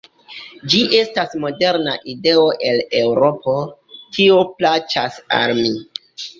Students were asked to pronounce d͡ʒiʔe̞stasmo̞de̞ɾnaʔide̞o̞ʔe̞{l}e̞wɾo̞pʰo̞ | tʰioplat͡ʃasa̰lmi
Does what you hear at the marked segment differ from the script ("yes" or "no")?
no